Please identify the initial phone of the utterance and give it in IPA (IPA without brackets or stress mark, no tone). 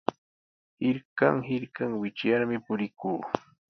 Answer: h